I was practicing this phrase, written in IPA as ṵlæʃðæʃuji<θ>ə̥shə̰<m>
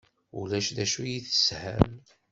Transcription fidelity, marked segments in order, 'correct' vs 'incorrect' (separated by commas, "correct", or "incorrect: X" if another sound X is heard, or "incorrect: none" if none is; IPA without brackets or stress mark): correct, correct